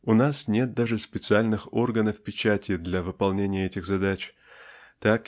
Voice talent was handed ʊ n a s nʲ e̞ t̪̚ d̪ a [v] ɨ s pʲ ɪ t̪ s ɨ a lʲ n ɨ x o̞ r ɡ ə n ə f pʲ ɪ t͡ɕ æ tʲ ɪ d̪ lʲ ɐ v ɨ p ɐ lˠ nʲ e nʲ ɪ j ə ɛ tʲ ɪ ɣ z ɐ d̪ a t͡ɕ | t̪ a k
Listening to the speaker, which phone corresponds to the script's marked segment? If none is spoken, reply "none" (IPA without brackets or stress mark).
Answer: ʐ